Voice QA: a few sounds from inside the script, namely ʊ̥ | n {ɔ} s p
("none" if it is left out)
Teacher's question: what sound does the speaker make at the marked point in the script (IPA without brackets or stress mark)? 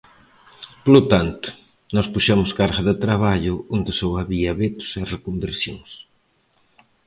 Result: ɔ